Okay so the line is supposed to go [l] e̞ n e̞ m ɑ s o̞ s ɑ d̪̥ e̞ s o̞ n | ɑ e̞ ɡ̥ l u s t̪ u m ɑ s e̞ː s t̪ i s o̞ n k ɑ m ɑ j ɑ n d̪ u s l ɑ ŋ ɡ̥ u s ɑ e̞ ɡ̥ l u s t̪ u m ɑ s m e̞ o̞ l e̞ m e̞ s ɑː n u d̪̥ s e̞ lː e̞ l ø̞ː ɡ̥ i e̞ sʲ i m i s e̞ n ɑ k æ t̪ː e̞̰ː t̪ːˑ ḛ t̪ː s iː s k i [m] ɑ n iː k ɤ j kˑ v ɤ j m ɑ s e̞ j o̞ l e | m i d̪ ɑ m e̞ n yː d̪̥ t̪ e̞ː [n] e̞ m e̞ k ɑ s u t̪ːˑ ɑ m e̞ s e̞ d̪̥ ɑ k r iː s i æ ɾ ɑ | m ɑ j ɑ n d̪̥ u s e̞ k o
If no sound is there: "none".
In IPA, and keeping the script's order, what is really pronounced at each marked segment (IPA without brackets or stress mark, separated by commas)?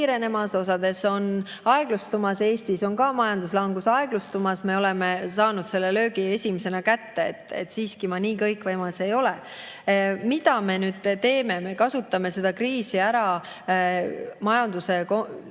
ɾ, m, m